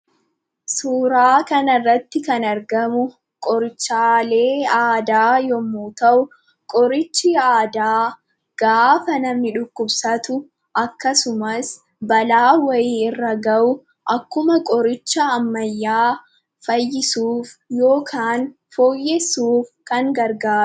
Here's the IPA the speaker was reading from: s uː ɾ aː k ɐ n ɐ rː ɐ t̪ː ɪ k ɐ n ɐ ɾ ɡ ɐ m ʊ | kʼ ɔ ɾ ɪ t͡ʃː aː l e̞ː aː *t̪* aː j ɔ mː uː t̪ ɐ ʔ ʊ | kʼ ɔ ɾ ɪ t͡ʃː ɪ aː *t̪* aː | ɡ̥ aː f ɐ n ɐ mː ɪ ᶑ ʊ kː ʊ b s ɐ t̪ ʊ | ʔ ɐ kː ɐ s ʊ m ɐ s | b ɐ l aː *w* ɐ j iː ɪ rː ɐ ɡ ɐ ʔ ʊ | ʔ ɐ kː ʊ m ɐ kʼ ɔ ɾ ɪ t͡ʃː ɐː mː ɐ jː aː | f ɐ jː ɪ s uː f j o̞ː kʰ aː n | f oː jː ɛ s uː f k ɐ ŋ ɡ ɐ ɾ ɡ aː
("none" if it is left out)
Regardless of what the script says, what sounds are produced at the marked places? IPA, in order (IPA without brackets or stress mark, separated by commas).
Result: d̪, d̪, w